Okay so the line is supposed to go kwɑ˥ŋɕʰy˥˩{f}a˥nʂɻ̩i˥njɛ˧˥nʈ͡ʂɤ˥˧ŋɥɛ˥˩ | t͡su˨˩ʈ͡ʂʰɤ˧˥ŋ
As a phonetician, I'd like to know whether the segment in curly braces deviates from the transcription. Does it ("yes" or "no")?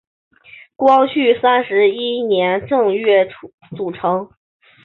yes